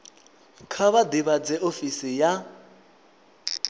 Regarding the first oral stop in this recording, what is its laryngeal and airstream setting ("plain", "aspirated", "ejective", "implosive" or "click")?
aspirated